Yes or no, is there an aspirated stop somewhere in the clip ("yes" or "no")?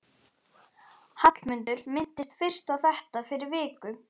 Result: no